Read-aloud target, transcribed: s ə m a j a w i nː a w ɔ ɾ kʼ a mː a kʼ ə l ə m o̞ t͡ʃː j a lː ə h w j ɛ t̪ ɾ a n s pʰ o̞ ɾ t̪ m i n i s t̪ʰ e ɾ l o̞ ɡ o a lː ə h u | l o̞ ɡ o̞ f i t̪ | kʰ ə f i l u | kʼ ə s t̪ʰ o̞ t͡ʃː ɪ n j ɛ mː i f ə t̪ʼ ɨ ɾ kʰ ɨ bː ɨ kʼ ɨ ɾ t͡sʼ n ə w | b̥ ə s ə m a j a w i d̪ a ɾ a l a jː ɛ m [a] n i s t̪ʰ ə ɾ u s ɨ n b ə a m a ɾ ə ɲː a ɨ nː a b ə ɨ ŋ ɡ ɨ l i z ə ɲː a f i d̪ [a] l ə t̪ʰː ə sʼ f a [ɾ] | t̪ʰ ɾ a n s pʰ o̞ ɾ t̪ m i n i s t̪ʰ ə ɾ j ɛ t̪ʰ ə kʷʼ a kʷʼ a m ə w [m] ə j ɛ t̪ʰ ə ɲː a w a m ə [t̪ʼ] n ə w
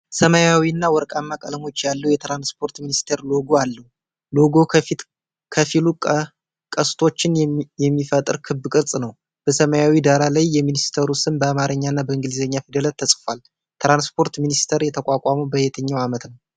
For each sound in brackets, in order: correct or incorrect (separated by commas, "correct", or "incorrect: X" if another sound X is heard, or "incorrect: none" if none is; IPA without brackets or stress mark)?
incorrect: i, incorrect: ə, incorrect: l, incorrect: b, incorrect: t̪